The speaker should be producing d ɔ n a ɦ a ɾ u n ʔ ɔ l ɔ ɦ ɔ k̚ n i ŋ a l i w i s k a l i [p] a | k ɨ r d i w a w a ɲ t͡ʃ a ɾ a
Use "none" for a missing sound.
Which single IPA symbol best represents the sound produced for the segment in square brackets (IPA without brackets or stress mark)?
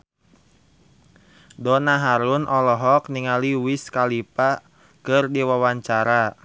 p